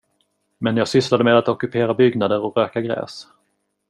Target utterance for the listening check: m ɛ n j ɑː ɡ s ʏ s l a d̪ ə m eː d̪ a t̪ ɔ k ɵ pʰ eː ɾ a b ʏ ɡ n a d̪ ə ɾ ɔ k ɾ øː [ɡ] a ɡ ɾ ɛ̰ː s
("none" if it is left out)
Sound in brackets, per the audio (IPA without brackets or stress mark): k